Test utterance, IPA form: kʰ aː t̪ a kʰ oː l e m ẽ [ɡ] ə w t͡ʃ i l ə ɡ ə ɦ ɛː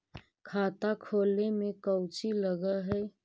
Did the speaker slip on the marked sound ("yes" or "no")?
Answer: yes